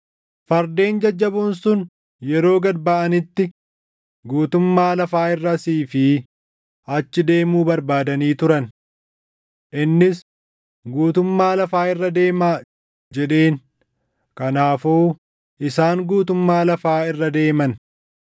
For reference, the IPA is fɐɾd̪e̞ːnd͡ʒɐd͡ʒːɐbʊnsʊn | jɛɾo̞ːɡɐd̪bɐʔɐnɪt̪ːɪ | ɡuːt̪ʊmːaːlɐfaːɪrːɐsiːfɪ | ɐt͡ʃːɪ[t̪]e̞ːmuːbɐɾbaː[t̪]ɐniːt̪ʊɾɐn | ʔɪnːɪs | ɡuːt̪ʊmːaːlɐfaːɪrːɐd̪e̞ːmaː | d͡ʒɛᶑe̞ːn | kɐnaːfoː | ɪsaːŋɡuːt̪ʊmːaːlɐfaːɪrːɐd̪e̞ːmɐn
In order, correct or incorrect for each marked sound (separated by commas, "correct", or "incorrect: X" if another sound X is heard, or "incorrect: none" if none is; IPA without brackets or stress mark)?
incorrect: d̪, incorrect: d̪